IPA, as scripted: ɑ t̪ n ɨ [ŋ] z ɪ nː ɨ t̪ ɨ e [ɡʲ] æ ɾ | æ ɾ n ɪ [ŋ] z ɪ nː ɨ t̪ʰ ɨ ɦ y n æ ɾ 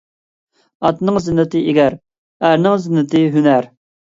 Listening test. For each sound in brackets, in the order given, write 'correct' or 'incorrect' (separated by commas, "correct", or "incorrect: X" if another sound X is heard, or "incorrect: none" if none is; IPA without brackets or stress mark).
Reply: correct, correct, correct